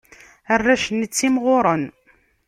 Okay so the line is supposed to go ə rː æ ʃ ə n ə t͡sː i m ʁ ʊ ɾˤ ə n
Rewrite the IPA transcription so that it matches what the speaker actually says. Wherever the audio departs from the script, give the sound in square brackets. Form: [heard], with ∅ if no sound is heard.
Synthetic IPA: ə rː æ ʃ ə n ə t͡sː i m ʁ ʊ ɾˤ ə n